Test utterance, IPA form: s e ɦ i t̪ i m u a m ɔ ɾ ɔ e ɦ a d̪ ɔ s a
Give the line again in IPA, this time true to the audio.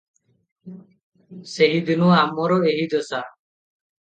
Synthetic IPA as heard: s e ɦ i d̪ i n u a m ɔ ɾ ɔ e ɦ i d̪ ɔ s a

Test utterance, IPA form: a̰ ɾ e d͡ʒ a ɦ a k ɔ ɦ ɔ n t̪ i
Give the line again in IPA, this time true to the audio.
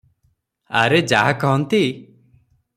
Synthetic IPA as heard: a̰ ɾ e d͡ʒ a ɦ a k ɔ ɦ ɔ n t̪ i

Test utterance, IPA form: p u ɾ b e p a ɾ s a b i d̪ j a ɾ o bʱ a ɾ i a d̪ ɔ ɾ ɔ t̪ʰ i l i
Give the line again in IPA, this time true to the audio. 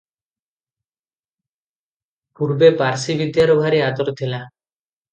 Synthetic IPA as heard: p u ɾ b e p a ɾ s i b i d̪ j a ɾ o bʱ a ɾ i a d̪ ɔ ɾ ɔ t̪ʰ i l a

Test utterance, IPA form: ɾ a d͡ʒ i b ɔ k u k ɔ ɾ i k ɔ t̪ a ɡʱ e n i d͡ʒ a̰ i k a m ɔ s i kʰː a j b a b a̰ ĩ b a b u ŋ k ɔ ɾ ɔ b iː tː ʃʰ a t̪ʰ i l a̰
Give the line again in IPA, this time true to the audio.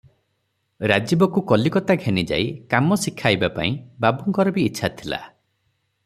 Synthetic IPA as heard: ɾ a d͡ʒ i b ɔ k u k ɔ l i k ɔ t̪ a ɡʱ e n i d͡ʒ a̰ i k a m ɔ s i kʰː a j b a p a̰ ĩ b a b u ŋ k ɔ ɾ ɔ b iː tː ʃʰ a t̪ʰ i l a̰

